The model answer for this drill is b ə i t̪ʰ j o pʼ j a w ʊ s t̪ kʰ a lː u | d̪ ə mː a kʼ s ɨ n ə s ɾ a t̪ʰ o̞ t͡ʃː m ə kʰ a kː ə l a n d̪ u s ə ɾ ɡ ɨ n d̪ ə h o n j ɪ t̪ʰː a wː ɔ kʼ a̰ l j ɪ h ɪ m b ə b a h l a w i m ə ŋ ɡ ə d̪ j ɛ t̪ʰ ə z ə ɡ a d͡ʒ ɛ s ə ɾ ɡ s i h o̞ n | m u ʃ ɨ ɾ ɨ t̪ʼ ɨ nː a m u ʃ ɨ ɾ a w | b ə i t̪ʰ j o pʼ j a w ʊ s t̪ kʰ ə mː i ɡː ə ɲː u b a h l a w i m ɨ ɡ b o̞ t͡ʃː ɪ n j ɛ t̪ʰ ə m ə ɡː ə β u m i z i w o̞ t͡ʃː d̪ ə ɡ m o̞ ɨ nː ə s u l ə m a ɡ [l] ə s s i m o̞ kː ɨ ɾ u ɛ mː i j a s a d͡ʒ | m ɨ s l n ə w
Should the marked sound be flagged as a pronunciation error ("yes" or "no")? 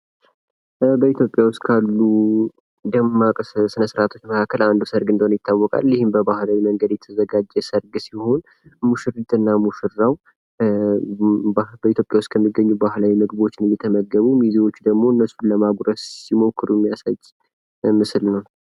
yes